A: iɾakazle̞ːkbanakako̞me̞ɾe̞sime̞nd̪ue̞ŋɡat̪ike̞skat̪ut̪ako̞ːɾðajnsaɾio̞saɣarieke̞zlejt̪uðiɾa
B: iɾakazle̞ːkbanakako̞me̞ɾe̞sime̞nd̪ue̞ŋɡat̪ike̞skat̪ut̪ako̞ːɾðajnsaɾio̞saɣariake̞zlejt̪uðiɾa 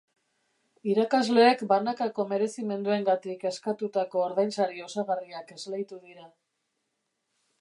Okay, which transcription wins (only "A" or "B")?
B